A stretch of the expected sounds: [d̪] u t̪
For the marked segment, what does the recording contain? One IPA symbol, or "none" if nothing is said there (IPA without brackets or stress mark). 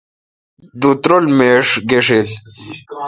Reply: d̪